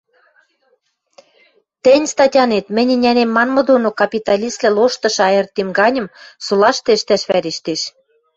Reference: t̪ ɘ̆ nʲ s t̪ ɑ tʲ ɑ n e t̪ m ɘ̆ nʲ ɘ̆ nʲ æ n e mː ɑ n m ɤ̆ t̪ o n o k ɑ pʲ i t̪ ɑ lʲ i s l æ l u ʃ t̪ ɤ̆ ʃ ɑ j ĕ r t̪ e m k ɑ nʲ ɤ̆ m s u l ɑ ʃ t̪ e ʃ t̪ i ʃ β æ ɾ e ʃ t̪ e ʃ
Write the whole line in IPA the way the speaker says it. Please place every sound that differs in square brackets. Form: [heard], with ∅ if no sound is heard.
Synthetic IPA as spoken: t̪ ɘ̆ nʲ s t̪ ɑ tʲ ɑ n e t̪ m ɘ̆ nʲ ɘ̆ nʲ æ n e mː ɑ n m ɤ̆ [d̪] o n o k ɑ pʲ i t̪ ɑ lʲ i s l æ l [o] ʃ t̪ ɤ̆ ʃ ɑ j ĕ r t̪ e m [ɡ] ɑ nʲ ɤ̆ m s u l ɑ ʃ t̪ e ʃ t̪ [æ] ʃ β æ ɾ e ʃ t̪ e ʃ

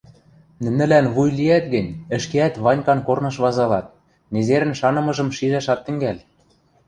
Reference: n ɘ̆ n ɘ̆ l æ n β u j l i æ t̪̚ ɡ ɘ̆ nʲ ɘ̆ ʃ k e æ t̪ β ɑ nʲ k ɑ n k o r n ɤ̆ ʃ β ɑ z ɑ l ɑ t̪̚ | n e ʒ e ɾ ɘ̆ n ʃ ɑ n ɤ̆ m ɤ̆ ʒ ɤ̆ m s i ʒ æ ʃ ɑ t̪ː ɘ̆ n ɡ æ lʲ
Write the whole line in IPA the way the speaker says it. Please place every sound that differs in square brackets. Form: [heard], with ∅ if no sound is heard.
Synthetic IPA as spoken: n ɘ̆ n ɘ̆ l æ n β u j l i æ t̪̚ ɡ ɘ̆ nʲ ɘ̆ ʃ k e æ t̪ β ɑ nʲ k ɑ n k o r n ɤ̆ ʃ β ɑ z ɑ l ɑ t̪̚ | n e [z] e ɾ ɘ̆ n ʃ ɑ n ɤ̆ m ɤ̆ ʒ ɤ̆ m [ʃ] i ʒ æ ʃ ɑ t̪ː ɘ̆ [ŋ] ɡ æ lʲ

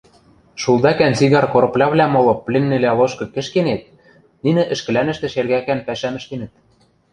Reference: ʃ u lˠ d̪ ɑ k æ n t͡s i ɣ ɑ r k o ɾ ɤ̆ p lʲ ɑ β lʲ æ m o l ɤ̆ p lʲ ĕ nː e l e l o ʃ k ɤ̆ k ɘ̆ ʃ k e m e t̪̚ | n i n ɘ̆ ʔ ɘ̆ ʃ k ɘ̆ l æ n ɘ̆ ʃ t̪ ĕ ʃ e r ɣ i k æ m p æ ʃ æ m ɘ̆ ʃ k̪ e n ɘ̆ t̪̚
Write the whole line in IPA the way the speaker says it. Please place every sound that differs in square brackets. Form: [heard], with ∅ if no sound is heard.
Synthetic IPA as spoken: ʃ u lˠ d̪ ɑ k æ n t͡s i ɣ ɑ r k o ɾ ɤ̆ p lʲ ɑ β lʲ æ m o l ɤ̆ p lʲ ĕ nː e l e l o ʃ k ɤ̆ k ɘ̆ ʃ k e [n] e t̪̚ | n i n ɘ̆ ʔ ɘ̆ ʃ k ɘ̆ l æ n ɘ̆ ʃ t̪ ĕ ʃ e r ɣ [æ] k æ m p æ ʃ æ m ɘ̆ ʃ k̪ e n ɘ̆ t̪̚

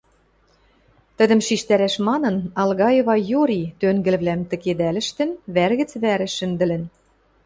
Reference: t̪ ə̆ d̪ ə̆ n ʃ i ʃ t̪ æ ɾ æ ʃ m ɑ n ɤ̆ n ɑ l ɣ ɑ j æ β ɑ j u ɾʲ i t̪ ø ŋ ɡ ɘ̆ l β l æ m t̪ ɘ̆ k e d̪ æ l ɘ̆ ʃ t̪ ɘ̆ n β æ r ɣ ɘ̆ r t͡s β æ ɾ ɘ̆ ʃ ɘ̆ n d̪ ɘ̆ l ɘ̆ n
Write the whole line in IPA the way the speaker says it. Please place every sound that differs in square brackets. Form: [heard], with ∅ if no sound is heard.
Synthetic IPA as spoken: t̪ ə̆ d̪ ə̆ [m] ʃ i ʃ t̪ æ ɾ æ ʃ m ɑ n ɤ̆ n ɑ l ɣ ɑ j [e] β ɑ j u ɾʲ i t̪ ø ŋ ɡ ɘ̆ l β l æ m t̪ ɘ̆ k e d̪ æ l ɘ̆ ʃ t̪ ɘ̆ n β æ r ɣ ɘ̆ [∅] t͡s β æ ɾ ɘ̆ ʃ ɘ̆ n d̪ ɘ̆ l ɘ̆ n

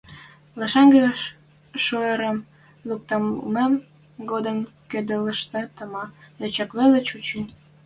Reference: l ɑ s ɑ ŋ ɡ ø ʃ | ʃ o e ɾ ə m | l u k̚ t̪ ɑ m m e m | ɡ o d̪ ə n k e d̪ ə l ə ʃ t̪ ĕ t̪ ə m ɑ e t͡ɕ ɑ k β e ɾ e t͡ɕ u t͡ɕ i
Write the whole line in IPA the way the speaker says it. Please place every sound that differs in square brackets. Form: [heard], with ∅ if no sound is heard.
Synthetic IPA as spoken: l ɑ [ʃ] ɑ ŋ ɡ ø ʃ | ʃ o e ɾ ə m | l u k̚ t̪ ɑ m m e m | ɡ o d̪ ə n k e d̪ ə l ə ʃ t̪ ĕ t̪ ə m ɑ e t͡ɕ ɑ k β e [l] e t͡ɕ u t͡ɕ i

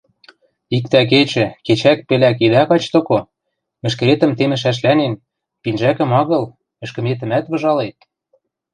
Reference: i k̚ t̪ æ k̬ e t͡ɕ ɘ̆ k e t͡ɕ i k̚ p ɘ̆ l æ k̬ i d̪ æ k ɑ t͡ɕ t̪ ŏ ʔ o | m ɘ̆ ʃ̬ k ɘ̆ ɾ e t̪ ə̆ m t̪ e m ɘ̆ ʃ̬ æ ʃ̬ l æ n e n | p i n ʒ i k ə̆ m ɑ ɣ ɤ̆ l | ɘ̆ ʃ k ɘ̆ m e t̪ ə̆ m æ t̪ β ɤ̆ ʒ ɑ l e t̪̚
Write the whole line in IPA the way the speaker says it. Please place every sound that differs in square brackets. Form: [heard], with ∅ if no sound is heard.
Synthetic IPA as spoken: i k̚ t̪ æ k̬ e t͡ɕ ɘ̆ k e t͡ɕ [æ] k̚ p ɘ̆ l æ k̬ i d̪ æ k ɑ t͡ɕ t̪ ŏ [k] o | m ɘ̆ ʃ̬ k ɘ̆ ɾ e t̪ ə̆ m t̪ e m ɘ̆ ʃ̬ æ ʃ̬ l æ n e n | p i n ʒ [æ] k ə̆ m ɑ ɣ ɤ̆ l | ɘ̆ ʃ k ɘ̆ m e t̪ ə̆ m æ t̪ β ɤ̆ ʒ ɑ l e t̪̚

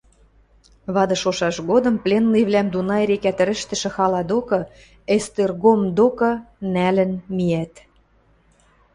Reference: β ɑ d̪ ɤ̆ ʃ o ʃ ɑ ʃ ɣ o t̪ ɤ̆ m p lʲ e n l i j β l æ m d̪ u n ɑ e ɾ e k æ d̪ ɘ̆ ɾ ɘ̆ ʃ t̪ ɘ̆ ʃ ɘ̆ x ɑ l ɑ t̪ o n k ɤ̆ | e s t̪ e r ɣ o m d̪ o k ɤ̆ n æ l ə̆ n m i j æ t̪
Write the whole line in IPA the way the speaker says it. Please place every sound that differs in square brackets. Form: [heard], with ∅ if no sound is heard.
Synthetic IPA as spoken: β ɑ d̪ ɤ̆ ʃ o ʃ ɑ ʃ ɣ o [d̪] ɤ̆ m p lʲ e n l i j β l æ m d̪ u n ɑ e ɾ e k æ [t̪] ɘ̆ ɾ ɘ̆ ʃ t̪ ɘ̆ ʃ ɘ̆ x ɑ l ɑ [d̪] o [∅] k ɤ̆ | e s t̪ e r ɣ o m d̪ o k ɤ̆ n æ l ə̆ n m i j æ t̪

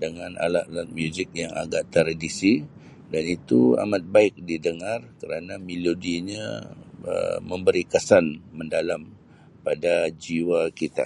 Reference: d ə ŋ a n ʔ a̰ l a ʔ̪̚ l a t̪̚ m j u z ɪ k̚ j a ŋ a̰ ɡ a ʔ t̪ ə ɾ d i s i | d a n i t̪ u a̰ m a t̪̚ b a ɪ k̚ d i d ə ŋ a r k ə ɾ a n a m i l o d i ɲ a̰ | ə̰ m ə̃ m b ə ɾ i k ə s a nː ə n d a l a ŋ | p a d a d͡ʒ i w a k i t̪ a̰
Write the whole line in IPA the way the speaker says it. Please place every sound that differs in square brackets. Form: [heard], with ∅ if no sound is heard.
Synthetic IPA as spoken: d ə ŋ a n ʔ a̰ l a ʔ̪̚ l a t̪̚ m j u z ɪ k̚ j a ŋ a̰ ɡ a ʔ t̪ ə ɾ d i s i | d a n i t̪ u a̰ m a t̪̚ b a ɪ k̚ d i d ə ŋ a r k ə ɾ a n a m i l o d i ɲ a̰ | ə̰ m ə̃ m b ə ɾ i k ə s a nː ə n d a l a [m] | p a d a d͡ʒ i w a k i t̪ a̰

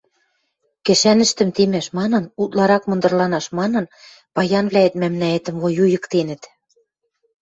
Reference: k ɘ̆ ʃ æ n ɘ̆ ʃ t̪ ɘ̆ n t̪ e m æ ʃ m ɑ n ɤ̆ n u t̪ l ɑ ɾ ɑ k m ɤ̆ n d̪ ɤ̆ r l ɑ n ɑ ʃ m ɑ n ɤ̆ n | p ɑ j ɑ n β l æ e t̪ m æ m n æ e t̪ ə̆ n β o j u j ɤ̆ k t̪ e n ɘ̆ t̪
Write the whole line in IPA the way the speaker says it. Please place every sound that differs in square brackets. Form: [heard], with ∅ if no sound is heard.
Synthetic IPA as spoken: k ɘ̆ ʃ æ n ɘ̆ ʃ t̪ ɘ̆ [m] t̪ e m æ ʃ m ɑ n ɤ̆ n u t̪ l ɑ ɾ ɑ k m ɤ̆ n d̪ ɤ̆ r l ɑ n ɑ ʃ m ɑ n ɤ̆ n | p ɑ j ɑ n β l æ e t̪ m æ m n æ e t̪ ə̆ [m] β o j u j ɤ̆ k t̪ e n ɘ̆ t̪

